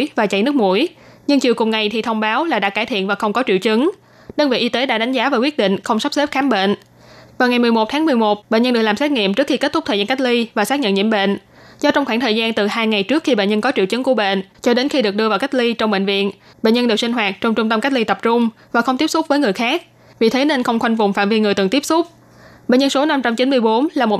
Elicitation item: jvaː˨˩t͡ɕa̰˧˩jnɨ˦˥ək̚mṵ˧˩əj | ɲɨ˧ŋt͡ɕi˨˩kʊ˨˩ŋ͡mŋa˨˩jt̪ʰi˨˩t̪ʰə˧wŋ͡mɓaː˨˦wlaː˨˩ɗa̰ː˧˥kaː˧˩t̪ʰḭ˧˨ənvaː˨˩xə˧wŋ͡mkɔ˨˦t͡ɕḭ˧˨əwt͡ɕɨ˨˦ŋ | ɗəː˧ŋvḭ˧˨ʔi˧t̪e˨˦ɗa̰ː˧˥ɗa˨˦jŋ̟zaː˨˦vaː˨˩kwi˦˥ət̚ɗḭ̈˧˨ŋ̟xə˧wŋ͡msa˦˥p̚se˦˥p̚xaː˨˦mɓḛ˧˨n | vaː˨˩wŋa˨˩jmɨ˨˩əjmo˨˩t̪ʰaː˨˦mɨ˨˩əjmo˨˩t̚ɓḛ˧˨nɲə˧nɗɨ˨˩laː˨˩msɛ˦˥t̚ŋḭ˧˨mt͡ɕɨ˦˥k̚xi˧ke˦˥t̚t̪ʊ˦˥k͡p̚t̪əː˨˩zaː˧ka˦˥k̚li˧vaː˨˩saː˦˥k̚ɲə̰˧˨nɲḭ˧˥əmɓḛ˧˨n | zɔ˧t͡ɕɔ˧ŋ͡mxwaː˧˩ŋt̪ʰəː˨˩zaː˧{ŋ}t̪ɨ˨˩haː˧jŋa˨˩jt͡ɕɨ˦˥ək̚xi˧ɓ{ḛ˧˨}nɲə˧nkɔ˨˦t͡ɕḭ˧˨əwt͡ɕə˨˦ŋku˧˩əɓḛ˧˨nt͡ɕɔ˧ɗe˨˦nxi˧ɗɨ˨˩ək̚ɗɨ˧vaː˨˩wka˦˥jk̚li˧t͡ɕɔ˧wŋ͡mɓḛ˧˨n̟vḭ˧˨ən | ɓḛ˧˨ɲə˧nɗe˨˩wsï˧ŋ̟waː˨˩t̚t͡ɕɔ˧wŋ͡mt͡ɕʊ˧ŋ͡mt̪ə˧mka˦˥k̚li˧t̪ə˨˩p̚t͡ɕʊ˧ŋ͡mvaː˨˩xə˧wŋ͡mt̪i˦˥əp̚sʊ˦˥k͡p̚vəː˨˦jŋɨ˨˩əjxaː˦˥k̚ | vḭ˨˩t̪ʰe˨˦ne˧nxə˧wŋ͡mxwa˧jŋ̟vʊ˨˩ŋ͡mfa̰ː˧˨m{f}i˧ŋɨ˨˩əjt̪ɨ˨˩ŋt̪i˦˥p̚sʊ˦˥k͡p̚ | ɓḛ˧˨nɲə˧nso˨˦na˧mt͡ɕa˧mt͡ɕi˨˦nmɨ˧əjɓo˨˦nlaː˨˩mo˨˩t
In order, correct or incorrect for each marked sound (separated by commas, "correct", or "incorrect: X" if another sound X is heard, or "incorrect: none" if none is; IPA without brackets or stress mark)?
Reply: incorrect: n, correct, incorrect: v